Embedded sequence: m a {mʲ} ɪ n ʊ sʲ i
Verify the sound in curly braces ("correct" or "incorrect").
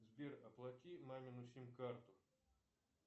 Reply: correct